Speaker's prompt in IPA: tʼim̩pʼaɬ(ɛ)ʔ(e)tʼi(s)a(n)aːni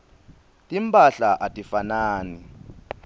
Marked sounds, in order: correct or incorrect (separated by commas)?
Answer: incorrect, incorrect, incorrect, correct